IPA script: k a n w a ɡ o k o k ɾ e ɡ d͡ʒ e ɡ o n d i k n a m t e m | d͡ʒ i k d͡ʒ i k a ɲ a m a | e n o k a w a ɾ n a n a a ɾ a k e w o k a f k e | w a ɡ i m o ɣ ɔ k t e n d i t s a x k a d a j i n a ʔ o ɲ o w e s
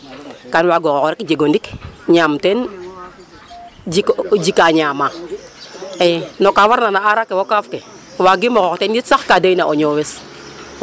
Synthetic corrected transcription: k a n w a ɡ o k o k ɾ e k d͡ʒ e ɡ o n d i k ɲ a m t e n | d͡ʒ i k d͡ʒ i k a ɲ a m a | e n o k a w a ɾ n a n a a ɾ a k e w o k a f k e | w a ɡ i m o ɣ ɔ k t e n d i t s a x k a d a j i n a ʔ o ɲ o w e s